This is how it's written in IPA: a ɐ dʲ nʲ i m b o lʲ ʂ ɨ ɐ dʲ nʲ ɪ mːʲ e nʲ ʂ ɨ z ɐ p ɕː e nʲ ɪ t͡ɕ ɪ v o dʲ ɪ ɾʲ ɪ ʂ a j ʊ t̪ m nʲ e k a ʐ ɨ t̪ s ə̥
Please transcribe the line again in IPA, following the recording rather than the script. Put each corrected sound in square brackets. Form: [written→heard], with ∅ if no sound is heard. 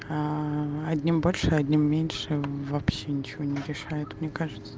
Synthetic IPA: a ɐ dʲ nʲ i m b o lʲ ʂ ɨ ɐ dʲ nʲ [ɪ→i] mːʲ e nʲ ʂ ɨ [z→v] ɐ p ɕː e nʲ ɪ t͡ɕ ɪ v o [dʲ→nʲ] ɪ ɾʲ ɪ ʂ a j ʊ t̪ m nʲ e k a ʐ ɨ t̪ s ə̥

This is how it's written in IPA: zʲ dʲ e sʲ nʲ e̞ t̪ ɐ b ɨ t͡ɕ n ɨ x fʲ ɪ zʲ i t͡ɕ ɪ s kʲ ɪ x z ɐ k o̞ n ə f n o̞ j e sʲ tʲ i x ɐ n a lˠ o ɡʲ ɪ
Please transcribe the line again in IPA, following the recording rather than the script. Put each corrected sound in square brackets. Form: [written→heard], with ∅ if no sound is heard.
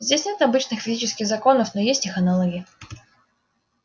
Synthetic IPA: zʲ dʲ e sʲ nʲ e̞ t̪ ɐ b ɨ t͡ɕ n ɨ x fʲ ɪ zʲ i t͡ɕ ɪ s kʲ ɪ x z ɐ k o̞ n ə f n o̞ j e sʲ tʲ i x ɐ n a lˠ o ɡʲ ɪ

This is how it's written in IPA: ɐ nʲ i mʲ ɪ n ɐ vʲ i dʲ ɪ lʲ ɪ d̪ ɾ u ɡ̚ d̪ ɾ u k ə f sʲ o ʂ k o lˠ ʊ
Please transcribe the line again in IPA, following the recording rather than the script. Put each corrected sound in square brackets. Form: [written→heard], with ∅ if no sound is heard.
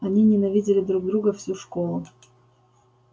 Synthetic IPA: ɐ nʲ i [mʲ→nʲ] ɪ n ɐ vʲ i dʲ ɪ lʲ ɪ d̪ ɾ u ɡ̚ d̪ ɾ u [k→ɡ] ə f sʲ [o→u] ʂ k o lˠ ʊ

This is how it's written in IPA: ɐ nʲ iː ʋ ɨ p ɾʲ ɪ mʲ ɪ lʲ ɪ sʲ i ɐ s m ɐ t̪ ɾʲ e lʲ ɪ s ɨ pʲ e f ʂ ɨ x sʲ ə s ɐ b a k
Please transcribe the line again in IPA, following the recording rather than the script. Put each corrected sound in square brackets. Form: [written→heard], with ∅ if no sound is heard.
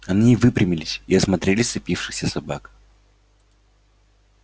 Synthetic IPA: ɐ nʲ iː [ʋ→v] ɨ p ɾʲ ɪ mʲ ɪ lʲ ɪ sʲ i ɐ s m ɐ t̪ ɾʲ e lʲ ɪ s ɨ pʲ [e→i] f ʂ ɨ x sʲ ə s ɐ b a k

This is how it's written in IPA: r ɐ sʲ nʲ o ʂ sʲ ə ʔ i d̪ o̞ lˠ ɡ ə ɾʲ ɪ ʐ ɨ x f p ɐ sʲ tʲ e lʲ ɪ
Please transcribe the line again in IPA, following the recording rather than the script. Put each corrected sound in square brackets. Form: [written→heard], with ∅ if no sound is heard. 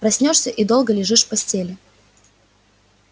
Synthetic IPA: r ɐ sʲ nʲ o ʂ sʲ ə ʔ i d̪ o̞ lˠ ɡ ə [ɾʲ→lʲ] ɪ ʐ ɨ [x→ʂ] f p ɐ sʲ tʲ e lʲ ɪ

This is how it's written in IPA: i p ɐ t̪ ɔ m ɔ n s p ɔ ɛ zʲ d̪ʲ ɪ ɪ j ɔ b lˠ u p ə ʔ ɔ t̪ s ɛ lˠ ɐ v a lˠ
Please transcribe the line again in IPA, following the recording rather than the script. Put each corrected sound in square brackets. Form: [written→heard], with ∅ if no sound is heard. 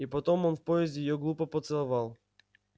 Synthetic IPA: i p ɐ t̪ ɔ m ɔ n [s→f] p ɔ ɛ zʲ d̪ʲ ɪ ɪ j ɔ [b→ɡ] lˠ u p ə [ʔ→p] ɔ t̪ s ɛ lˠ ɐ v a lˠ

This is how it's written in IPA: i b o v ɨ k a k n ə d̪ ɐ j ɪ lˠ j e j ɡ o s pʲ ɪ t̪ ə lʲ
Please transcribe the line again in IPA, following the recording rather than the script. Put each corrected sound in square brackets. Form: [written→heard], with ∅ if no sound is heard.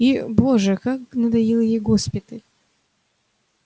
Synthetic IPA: i b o [v→ʐ] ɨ k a k n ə d̪ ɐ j [ɪ→i] lˠ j e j ɡ o s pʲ ɪ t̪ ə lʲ

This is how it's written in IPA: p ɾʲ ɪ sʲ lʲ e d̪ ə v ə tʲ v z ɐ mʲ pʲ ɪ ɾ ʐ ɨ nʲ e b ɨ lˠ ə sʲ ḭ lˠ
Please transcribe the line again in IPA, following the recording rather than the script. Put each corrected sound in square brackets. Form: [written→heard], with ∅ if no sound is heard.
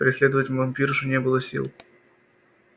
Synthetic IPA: p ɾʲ ɪ sʲ lʲ e d̪ ə v ə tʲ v [z→v] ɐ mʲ pʲ [ɪ→i] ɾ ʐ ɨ nʲ e b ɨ lˠ ə sʲ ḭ lˠ

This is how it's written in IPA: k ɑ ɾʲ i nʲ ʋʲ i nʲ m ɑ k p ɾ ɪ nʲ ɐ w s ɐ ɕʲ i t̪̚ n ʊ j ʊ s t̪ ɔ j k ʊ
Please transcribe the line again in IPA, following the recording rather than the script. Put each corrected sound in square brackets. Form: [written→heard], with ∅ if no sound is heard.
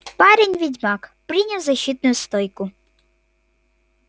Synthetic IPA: [k→p] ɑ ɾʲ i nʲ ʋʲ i [nʲ→dʲ] m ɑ k p ɾ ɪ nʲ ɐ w [s→z] ɐ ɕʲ i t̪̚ n ʊ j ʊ s t̪ ɔ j k ʊ

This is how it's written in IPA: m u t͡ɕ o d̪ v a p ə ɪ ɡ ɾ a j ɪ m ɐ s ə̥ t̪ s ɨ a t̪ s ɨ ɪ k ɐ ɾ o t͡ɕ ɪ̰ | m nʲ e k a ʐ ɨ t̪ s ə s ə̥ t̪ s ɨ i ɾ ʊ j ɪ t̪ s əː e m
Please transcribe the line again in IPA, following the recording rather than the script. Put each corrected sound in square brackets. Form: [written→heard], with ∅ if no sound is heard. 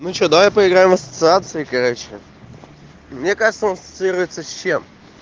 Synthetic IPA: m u t͡ɕ o d̪ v a p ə ɪ ɡ ɾ a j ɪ m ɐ s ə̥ t̪ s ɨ a t̪ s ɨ ɪ k ɐ ɾ o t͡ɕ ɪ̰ | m nʲ e k a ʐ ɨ t̪ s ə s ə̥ t̪ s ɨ i ɾ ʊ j ɪ t̪ s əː e m

